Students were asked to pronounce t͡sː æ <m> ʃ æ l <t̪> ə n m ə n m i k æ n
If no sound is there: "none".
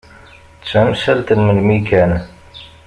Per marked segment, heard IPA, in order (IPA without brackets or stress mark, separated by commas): m, t̪